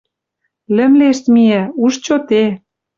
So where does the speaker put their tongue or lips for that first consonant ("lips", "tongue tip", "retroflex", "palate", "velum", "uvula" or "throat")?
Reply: tongue tip